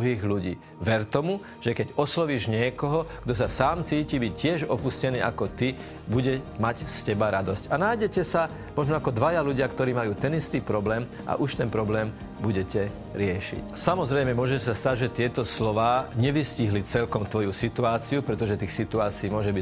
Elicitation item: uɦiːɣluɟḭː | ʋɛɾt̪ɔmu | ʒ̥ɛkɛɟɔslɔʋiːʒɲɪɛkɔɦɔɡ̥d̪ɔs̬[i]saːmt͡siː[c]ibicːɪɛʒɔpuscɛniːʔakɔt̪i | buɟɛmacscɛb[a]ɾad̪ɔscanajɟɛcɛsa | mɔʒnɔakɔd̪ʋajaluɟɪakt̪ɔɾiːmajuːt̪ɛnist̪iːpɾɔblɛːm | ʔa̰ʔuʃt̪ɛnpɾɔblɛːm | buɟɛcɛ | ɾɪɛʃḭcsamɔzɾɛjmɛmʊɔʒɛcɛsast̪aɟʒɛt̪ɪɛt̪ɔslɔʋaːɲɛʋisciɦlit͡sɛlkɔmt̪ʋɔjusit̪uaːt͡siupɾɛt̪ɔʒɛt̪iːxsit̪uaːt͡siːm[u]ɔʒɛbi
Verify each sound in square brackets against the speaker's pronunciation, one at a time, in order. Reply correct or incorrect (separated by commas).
incorrect, correct, correct, incorrect